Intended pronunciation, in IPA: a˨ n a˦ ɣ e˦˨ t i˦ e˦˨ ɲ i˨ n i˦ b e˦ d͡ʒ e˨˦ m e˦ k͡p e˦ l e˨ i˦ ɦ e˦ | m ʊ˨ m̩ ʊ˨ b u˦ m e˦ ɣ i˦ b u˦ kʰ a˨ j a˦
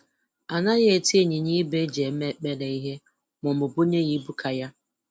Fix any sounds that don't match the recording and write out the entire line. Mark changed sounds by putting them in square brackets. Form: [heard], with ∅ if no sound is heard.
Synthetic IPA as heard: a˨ n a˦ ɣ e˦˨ t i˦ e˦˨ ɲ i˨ [ɲ] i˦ b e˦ d͡ʒ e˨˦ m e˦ k͡p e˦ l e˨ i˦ ɦ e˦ | m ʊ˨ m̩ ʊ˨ b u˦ [ɲ] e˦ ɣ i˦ b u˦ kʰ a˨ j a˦

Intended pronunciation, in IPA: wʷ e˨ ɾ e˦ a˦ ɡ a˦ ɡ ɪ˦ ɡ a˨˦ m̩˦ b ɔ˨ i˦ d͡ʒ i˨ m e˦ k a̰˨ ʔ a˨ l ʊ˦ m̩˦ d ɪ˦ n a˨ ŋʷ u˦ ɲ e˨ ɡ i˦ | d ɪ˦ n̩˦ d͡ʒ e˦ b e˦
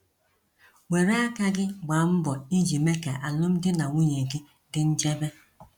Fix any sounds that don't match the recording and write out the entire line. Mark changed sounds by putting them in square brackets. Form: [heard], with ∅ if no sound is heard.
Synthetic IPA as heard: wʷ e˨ ɾ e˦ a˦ [k] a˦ ɡ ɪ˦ [ɡ͡b] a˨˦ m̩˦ b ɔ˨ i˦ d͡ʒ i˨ m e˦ k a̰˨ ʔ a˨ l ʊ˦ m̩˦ d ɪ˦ n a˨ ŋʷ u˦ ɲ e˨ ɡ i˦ | d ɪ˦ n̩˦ d͡ʒ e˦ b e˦

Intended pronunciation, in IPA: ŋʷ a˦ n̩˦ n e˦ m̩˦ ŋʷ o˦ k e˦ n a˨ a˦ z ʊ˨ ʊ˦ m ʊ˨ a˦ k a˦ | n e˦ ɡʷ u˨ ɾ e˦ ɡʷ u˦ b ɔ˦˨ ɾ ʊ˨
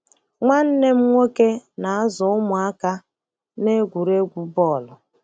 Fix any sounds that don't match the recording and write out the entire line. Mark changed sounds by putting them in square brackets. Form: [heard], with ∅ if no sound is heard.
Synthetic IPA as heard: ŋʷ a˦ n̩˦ n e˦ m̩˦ ŋʷ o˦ k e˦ n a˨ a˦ z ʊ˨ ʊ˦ m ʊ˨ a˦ k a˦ | n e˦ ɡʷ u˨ ɾ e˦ ɡʷ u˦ b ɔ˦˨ [l] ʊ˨

